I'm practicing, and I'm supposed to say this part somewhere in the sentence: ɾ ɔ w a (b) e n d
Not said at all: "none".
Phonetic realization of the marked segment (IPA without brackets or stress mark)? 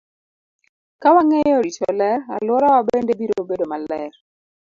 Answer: b